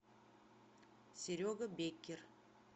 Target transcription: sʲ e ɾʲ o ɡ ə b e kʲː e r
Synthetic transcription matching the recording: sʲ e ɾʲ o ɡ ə b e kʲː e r